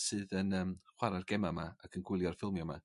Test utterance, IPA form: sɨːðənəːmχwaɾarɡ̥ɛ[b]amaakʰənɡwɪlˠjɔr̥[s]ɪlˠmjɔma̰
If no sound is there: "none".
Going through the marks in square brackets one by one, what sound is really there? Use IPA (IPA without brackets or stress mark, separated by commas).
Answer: m, f